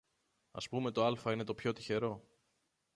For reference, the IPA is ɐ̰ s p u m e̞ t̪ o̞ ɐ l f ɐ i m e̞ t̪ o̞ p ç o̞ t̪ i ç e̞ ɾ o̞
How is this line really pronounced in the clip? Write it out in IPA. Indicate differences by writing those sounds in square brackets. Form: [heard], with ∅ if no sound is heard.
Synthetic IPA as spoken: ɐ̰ s p u m e̞ t̪ o̞ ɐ l f ɐ i [n] e̞ t̪ o̞ p ç o̞ t̪ i ç e̞ ɾ o̞